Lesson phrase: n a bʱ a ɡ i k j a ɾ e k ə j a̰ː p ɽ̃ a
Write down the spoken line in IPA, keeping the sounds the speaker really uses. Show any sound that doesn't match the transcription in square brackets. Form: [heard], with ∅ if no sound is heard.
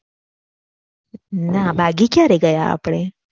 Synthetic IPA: n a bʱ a ɡ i k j a ɾ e [ɡ] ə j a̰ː p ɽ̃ [e]